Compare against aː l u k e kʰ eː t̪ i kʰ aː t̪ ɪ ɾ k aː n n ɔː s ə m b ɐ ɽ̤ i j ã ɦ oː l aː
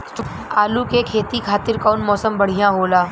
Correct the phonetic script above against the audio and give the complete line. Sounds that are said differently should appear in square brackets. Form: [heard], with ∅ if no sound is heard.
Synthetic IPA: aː l u k e kʰ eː t̪ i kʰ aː t̪ ɪ ɾ k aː n [m] ɔː s ə m b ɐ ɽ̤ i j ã ɦ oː l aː